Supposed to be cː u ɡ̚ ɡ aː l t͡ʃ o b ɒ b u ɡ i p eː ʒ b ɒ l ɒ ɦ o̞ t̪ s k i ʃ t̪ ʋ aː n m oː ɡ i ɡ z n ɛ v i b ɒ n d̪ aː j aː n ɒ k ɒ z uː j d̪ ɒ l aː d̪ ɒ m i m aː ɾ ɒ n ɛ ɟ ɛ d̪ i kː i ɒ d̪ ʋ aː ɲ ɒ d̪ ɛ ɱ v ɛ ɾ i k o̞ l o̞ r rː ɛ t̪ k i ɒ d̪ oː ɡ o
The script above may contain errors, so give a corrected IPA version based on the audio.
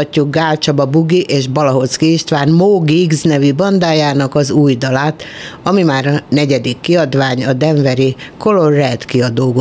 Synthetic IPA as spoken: cː u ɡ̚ ɡ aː l t͡ʃ ɒ b ɒ b u ɡ i ʔ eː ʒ b ɒ l ɒ ɦ o̞ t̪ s k i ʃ t̪ ʋ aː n m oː ɡ i ɡ z n ɛ v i b ɒ n d̪ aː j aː n ɒ k ɒ z uː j d̪ ɒ l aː t̪ ɒ m i m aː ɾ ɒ n ɛ ɟ ɛ d̪ i kː i ɒ d̪ ʋ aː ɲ ɒ d̪ ɛ ɱ v ɛ ɾ i k o̞ l o̞ r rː ɛ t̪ k i ɒ d̪ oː ɡ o